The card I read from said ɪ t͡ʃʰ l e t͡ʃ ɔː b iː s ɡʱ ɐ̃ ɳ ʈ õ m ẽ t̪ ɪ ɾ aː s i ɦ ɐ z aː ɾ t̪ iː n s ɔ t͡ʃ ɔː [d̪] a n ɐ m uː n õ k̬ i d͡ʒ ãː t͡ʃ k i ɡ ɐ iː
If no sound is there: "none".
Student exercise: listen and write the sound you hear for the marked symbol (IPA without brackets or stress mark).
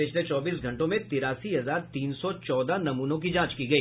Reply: d̪